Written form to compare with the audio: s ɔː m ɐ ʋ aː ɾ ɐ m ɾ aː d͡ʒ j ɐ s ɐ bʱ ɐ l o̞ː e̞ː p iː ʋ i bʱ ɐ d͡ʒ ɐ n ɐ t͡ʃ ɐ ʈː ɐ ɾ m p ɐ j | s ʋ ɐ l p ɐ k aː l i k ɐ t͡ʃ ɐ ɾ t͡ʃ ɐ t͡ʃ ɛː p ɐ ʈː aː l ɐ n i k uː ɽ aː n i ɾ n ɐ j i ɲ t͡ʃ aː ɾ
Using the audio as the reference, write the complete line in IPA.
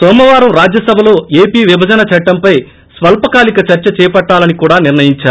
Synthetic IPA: s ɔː m ɐ ʋ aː ɾ ɐ m ɾ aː d͡ʒ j ɐ s ɐ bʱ ɐ l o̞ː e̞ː p iː ʋ i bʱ ɐ d͡ʒ ɐ n ɐ t͡ʃ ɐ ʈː ɐ m p ɐ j | s ʋ ɐ l p ɐ k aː l i k ɐ t͡ʃ ɐ ɾ t͡ʃ ɐ t͡ʃ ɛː p ɐ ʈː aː l ɐ n i k uː ɽ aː n i ɾ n ɐ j i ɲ t͡ʃ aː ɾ

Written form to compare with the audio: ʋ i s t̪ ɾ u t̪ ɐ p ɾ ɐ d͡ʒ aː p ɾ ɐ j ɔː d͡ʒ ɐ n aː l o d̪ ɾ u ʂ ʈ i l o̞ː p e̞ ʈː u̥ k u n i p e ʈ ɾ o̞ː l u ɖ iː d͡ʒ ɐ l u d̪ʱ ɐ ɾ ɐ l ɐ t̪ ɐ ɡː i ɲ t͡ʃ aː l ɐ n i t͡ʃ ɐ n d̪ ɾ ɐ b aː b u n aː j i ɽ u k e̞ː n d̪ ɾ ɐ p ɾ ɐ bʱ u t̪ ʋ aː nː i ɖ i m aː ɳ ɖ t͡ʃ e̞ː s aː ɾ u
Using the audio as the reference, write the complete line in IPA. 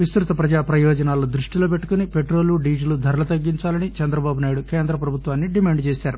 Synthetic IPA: ʋ i s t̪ ɾ u t̪ ɐ p ɾ ɐ d͡ʒ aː p ɾ ɐ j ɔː d͡ʒ ɐ n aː l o d̪ ɾ u ʂ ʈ i l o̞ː p e̞ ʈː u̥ k u n i p e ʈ ɾ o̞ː l u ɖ iː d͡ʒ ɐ l u d̪ʱ ɐ ɾ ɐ l ɐ t̪ ɐ ɡː i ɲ t͡ʃ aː l ɐ n i t͡ʃ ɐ n d̪ ɾ ɐ b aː b u n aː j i ɽ u k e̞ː n d̪ ɾ ɐ p ɾ ɐ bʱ u t̪ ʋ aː nː i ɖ i m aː ɳ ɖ t͡ʃ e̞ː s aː ɾ u

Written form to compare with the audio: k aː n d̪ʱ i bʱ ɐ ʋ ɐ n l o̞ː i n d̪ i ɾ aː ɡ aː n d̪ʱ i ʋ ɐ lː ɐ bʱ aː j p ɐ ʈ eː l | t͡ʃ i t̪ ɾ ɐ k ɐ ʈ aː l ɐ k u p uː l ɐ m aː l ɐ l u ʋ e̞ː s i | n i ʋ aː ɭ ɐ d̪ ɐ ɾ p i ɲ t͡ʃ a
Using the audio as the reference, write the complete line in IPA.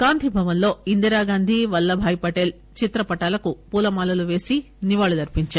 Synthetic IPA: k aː n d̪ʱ i bʱ ɐ ʋ ɐ n l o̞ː i n d̪ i ɾ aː ɡ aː n d̪ʱ i ʋ ɐ lː ɐ bʱ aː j p ɐ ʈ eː l | t͡ʃ i t̪ ɾ ɐ p ɐ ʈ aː l ɐ k u p uː l ɐ m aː l ɐ l u ʋ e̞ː s i | n i ʋ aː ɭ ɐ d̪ ɐ ɾ p i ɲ t͡ʃ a

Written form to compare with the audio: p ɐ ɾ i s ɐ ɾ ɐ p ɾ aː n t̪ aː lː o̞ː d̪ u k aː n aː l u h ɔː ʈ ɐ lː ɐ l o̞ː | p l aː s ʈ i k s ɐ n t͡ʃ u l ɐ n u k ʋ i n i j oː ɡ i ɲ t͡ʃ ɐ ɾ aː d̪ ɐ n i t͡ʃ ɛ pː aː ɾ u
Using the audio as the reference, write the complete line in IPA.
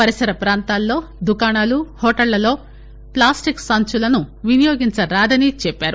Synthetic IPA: p ɐ ɾ i s ɐ ɾ ɐ p ɾ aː n t̪ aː lː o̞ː d̪ u k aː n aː l u h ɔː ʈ ɐ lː ɐ l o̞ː | p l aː s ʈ i k s ɐ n t͡ʃ u l ɐ n u ʋ i n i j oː ɡ i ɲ t͡ʃ ɐ ɾ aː d̪ ɐ n i t͡ʃ ɛ pː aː ɾ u

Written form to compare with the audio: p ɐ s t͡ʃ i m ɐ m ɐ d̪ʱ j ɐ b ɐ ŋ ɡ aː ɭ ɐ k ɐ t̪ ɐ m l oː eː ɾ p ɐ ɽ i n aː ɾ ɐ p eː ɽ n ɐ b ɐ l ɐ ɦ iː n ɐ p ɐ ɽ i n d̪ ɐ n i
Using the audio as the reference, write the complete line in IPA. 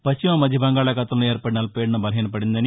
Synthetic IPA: p ɐ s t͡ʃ i m ɐ m ɐ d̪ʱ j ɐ b ɐ ŋ ɡ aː ɭ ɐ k ɐ t̪ ɐ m l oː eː ɾ p ɐ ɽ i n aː l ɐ p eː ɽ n ɐ b ɐ l ɐ ɦ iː n ɐ p ɐ ɽ i n d̪ ɐ n i

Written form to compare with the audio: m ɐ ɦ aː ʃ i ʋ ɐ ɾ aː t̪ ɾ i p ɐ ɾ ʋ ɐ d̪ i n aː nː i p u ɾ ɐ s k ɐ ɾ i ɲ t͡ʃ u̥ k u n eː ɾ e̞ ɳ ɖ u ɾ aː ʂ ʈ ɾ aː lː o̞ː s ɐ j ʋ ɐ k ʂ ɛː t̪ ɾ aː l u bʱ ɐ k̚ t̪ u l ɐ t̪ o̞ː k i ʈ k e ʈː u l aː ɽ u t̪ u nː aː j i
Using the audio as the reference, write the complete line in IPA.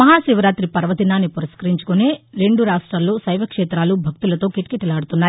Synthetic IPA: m ɐ ɦ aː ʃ i ʋ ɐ ɾ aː t̪ ɾ i p ɐ ɾ ʋ ɐ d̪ i n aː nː i p u ɾ ɐ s k ɐ ɾ i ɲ t͡ʃ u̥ k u n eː ɾ e̞ ɳ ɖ u ɾ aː ʂ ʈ ɾ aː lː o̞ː s ɐ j ʋ ɐ k ʂ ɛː t̪ ɾ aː l u bʱ ɐ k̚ t̪ u l ɐ t̪ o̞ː k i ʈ k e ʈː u l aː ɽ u t̪ u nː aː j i

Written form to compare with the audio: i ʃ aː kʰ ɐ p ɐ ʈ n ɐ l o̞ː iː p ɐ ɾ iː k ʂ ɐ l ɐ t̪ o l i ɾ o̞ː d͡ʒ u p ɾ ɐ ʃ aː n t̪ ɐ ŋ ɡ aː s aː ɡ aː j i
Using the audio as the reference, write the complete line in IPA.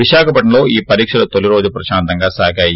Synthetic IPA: i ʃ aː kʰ ɐ p ɐ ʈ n ɐ l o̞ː iː p ɐ ɾ iː k ʂ ɐ l ɐ t̪ o l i ɾ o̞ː d͡ʒ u p ɾ ɐ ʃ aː n t̪ ɐ ŋ ɡ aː s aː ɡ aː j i

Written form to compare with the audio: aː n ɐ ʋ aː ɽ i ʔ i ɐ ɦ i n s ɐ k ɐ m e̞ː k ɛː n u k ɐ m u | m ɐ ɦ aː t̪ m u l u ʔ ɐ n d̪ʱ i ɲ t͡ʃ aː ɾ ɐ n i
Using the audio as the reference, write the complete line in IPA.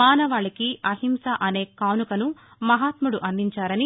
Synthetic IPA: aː n ɐ ʋ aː ɭ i k i ɐ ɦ i m s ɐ ʔ ɐ n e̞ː k aː n u k ɐ n u | m ɐ ɦ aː t̪ m u ɽ u ʔ ɐ n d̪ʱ i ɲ t͡ʃ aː ɾ ɐ n i

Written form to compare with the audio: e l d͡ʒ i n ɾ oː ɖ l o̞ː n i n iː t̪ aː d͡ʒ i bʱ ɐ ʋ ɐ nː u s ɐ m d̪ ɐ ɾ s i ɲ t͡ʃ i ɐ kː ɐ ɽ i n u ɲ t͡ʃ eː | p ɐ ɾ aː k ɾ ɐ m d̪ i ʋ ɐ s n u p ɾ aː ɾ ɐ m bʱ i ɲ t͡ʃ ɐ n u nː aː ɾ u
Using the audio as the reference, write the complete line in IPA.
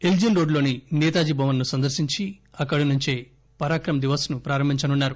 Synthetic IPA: e l d͡ʒ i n ɾ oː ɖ l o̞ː n i n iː t̪ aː d͡ʒ i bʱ ɐ ʋ ɐ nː u s ɐ n d̪ ɐ ɾ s i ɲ t͡ʃ i ɐ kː ɐ ɽ i n u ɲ t͡ʃ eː | p ɐ ɾ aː k ɾ ɐ m d̪ i ʋ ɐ s n u p ɾ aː ɾ ɐ m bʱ i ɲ t͡ʃ ɐ n u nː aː ɾ u

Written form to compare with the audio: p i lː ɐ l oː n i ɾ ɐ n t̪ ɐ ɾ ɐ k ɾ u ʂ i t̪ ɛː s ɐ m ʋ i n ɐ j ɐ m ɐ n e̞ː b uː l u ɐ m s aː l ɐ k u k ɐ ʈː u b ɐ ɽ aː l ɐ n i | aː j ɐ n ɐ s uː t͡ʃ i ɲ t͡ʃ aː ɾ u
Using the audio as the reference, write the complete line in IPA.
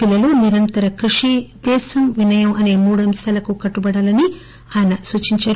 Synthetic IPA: p i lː ɐ l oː n i ɾ ɐ n t̪ ɐ ɾ ɐ k ɾ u ʂ i d̪ ɛː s ɐ m ʋ i n ɐ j ɐ m ɐ n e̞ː m uː ɽ u ɐ m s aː l ɐ k u k ɐ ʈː u b ɐ ɽ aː l ɐ n i | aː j ɐ n ɐ s uː t͡ʃ i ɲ t͡ʃ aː ɾ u

